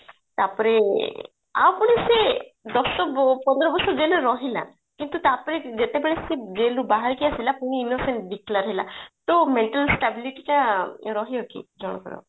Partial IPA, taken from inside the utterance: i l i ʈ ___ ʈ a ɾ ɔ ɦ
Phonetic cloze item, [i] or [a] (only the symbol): i